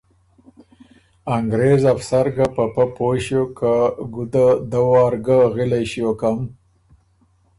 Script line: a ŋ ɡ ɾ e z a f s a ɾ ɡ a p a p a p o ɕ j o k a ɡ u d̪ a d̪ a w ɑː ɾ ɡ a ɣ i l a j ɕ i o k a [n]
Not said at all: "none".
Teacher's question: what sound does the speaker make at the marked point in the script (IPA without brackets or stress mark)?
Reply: m